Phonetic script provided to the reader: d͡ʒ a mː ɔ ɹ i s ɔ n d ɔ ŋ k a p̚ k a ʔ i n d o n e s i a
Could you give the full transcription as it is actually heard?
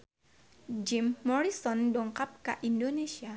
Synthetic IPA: d͡ʒ i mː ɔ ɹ i s ɔ n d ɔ ŋ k a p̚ k a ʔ i n d o n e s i a